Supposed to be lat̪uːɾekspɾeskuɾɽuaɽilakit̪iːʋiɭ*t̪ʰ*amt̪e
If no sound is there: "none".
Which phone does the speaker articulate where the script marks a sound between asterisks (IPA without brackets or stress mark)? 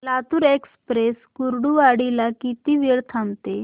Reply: t̪ʰ